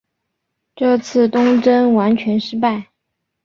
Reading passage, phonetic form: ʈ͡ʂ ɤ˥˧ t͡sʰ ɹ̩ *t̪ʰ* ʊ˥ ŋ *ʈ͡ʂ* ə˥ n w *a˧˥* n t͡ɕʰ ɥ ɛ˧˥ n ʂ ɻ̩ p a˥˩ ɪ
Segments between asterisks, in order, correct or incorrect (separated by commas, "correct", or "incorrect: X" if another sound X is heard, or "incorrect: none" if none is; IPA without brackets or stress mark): incorrect: t̪, correct, correct